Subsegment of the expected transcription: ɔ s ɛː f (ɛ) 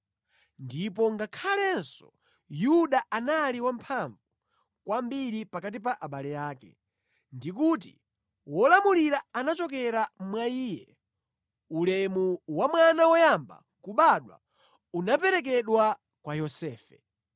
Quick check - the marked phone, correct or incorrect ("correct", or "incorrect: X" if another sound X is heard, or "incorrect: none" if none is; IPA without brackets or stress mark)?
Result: correct